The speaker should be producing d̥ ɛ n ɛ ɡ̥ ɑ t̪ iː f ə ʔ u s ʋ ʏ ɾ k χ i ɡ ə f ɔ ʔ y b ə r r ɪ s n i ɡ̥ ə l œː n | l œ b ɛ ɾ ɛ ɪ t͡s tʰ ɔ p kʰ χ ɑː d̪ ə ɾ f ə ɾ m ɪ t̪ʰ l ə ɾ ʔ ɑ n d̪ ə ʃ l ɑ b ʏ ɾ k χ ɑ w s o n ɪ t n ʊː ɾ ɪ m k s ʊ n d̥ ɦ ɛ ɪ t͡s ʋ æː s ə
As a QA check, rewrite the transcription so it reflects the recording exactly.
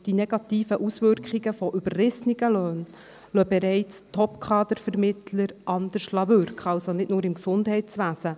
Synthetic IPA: d̥ i n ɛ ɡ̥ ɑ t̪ iː f ə ʔ u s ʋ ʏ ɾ k χ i ɡ ə f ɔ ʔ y b ə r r ɪ s n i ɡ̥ ə l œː n | l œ b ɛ ɾ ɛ ɪ t͡s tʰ ɔ p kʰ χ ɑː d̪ ə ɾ f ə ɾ m ɪ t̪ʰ l ə ɾ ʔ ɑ n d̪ ə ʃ l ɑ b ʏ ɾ k χ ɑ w s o n ɪ t n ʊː ɾ ɪ m k s ʊ n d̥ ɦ ɛ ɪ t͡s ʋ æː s ə